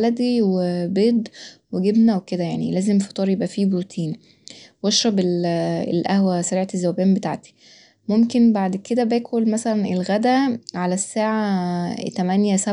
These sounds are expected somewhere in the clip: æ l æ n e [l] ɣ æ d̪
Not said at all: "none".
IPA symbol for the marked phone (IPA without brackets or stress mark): l